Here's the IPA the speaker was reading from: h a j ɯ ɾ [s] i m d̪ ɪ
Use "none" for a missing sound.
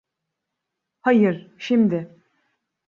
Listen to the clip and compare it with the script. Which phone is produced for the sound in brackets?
ʃ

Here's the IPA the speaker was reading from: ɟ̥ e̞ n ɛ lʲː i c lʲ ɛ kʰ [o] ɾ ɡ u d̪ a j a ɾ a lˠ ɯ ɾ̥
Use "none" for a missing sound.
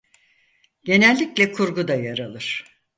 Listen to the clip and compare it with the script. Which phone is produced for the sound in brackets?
u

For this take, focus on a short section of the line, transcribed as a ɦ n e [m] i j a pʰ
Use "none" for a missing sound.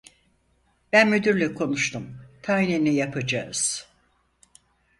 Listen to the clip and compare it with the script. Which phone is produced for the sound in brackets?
n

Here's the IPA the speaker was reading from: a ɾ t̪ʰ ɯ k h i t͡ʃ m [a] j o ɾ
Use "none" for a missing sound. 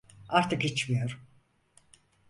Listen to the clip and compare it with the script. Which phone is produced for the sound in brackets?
i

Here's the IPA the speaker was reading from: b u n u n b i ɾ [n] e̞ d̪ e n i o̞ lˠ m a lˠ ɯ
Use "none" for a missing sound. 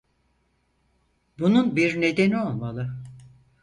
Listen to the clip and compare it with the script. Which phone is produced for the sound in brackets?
n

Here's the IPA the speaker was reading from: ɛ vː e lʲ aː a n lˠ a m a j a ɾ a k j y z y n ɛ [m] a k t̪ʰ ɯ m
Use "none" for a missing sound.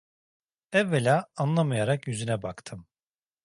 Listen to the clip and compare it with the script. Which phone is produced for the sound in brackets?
b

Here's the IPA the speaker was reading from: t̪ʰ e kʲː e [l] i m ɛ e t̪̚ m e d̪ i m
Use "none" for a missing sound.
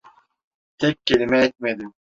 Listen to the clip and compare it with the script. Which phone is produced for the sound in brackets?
l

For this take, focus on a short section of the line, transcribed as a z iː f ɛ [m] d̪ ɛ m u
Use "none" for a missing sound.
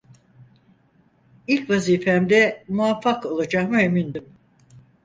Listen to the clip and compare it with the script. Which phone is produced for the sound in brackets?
m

